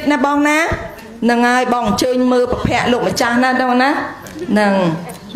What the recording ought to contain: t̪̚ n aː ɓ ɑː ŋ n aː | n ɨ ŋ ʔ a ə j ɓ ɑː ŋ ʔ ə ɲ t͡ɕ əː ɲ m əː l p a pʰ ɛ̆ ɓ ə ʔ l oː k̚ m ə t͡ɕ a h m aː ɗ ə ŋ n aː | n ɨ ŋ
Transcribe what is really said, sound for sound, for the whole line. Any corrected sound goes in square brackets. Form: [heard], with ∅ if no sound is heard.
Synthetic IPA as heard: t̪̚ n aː ɓ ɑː ŋ n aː | n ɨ ŋ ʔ a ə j ɓ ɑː ŋ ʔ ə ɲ t͡ɕ əː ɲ m əː l p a pʰ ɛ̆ [∅] ə ʔ l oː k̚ m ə t͡ɕ a h [n] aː ɗ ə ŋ n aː | n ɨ ŋ